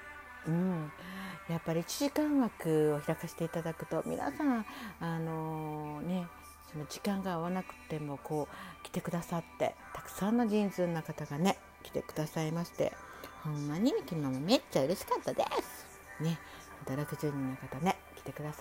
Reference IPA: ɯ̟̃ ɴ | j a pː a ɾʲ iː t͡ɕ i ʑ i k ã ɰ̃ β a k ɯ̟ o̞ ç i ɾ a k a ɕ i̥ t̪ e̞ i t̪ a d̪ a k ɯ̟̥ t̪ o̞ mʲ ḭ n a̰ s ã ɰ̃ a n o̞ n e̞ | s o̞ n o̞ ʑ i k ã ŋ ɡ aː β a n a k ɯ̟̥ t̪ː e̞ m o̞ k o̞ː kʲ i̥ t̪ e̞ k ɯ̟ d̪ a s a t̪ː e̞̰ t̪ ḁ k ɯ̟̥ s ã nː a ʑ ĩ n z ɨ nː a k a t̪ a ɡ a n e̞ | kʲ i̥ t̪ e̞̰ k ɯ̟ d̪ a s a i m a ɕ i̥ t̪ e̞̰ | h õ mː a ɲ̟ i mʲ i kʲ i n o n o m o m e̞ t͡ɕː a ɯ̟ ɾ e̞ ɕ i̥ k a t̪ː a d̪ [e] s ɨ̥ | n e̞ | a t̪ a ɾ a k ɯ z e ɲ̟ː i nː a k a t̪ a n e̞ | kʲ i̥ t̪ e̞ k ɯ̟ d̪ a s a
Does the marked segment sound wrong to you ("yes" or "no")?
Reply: no